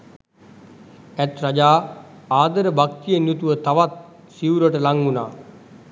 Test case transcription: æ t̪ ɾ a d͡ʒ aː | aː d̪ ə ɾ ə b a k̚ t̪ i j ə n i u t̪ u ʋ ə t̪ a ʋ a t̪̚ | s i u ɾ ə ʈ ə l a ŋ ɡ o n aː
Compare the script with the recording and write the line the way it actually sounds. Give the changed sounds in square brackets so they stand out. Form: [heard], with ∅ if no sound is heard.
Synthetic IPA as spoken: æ t̪ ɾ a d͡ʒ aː | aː d̪ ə ɾ ə b a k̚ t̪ i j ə n [j] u t̪ u ʋ ə t̪ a ʋ a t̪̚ | s i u ɾ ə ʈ ə l a ŋ ɡ [u] n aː